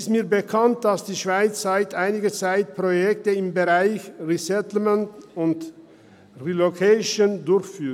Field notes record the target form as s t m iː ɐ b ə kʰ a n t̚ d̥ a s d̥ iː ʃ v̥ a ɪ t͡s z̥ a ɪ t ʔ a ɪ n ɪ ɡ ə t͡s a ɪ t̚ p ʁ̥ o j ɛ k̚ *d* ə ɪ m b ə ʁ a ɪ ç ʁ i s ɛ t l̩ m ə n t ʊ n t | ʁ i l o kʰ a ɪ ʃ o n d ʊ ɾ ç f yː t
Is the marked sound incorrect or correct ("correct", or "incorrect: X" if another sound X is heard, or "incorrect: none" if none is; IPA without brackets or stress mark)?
incorrect: t